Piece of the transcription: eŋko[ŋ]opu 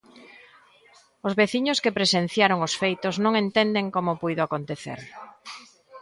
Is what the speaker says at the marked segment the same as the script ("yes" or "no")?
no